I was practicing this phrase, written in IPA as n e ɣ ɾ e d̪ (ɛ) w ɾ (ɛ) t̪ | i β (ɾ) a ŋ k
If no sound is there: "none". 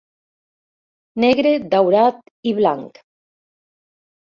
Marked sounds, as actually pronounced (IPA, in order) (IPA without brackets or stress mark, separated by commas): a, a, l